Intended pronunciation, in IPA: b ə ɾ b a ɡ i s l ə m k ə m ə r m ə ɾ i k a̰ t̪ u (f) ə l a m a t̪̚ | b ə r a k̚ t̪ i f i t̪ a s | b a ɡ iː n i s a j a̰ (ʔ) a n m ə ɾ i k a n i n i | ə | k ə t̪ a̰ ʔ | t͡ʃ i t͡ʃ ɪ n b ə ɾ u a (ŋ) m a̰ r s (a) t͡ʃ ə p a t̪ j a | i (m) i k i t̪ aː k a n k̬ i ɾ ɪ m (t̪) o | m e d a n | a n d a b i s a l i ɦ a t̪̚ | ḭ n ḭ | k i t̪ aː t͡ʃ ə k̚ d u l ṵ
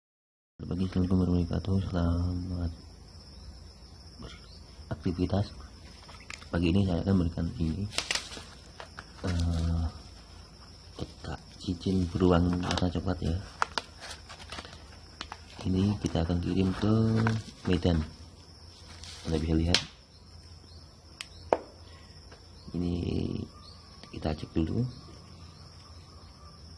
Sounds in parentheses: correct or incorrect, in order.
incorrect: s, incorrect: k, correct, correct, incorrect: n, correct

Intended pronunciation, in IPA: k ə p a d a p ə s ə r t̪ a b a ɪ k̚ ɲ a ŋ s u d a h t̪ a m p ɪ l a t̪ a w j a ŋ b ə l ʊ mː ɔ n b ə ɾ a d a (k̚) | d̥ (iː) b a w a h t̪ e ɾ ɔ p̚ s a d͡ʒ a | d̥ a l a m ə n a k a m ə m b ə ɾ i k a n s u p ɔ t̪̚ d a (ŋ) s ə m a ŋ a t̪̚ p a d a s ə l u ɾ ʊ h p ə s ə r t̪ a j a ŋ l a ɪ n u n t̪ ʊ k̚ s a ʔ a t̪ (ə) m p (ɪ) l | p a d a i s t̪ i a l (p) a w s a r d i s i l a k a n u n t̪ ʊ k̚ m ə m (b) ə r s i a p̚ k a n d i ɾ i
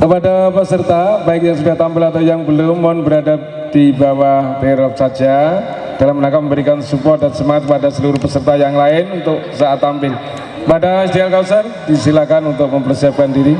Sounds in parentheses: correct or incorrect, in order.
incorrect: p̚, incorrect: i, incorrect: n, incorrect: a, correct, incorrect: k, incorrect: p

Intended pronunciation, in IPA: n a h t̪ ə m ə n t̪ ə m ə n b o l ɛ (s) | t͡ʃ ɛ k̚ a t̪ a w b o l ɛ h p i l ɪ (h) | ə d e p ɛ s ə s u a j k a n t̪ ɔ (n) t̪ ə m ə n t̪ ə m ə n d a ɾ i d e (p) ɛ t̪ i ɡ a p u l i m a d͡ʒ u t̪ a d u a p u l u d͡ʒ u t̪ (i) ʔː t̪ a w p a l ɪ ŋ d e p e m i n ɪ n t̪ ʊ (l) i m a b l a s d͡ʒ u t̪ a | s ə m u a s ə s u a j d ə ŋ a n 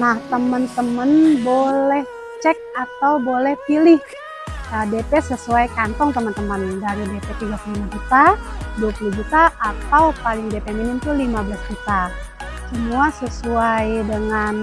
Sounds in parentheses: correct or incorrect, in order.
incorrect: h, correct, incorrect: ŋ, correct, incorrect: a, correct

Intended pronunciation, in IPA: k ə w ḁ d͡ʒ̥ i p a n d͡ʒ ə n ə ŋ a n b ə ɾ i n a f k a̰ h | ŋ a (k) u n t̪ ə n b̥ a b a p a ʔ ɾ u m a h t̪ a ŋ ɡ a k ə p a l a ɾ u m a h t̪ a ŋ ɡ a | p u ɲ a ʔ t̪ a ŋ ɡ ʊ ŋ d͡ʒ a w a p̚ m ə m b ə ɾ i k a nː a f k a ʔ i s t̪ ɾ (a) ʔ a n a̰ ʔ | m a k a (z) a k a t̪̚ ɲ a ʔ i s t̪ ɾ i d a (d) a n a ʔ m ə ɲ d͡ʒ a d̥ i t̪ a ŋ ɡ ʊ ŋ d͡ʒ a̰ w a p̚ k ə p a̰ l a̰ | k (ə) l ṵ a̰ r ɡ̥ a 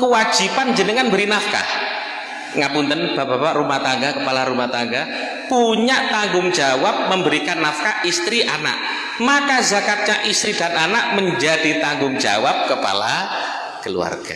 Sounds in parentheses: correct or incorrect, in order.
incorrect: p, incorrect: i, correct, incorrect: n, correct

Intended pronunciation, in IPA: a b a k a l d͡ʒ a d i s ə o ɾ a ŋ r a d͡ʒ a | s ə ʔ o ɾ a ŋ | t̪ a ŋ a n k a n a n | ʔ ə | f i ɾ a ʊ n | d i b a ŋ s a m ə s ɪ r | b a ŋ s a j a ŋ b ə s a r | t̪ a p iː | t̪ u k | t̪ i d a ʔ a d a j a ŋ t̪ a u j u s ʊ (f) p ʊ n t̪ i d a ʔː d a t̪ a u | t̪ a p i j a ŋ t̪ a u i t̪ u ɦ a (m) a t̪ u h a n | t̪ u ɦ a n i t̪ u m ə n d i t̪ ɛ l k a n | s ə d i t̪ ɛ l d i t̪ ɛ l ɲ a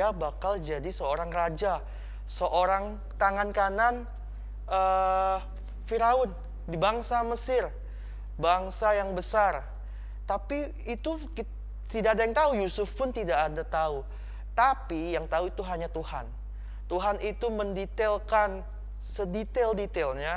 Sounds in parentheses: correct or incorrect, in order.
correct, incorrect: ɲ

